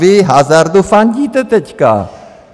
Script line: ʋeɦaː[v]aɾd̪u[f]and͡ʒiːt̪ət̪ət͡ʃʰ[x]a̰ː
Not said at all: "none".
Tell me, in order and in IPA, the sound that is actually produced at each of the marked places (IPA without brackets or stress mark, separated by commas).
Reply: z, f, k